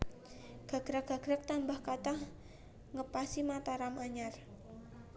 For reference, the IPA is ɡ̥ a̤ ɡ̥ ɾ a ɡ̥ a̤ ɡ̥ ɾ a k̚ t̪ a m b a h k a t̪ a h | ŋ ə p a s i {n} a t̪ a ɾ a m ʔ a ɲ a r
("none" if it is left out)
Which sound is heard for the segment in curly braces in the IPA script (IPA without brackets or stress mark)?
m